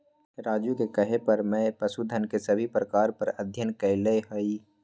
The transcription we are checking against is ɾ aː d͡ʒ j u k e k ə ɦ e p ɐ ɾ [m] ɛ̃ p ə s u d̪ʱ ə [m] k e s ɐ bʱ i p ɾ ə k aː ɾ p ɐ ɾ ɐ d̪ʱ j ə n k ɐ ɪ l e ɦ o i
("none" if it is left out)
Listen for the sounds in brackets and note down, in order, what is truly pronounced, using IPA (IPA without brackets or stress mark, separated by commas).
m, n